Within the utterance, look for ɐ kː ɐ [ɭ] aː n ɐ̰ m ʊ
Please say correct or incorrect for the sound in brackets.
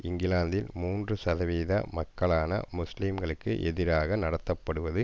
correct